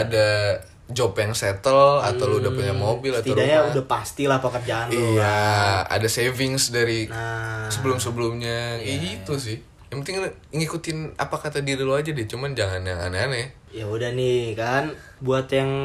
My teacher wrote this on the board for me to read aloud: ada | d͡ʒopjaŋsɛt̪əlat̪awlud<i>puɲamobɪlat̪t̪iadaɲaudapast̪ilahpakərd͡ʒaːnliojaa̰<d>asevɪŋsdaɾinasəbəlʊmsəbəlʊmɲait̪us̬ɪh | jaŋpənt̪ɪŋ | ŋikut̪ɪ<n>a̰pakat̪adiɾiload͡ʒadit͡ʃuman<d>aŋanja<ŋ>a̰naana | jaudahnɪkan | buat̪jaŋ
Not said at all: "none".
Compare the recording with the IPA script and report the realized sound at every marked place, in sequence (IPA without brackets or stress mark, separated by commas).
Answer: a, d, n, d͡ʒ, ŋ